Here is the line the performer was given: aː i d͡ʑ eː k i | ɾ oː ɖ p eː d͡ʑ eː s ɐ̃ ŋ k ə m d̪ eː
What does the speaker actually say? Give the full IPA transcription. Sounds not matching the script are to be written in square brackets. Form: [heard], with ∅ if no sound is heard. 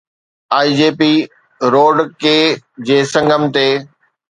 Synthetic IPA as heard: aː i d͡ʑ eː [p] i | ɾ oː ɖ [k] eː d͡ʑ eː s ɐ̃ ŋ [ɡ] ə m [t̪] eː